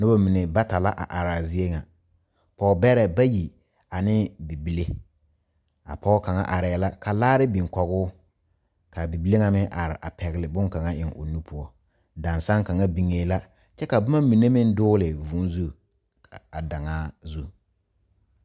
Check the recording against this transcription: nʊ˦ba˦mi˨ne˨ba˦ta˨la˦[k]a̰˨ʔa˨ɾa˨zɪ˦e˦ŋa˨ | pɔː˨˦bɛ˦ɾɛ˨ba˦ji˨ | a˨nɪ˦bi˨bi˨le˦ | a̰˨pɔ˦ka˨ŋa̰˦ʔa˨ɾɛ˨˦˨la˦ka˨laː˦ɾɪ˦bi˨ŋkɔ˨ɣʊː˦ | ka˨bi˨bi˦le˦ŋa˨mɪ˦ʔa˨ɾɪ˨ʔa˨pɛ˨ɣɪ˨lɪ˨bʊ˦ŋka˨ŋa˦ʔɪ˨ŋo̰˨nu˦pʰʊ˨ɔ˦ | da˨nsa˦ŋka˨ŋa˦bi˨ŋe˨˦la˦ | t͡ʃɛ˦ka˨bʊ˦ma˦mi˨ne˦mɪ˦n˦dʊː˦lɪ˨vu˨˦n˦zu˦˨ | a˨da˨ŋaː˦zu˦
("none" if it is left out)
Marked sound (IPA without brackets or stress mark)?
ʔ